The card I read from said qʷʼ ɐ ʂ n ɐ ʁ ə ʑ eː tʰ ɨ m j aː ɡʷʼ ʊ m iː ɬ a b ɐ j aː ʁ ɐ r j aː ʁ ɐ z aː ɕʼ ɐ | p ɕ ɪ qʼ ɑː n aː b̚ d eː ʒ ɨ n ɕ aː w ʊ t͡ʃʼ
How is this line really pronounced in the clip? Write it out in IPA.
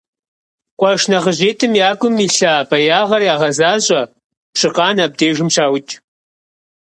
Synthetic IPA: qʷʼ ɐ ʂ n ɐ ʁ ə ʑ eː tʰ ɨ m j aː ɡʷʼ ʊ m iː ɬ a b ɐ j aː ʁ ɐ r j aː ʁ ɐ z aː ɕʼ ɐ | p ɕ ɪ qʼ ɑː n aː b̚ d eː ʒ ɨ m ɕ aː w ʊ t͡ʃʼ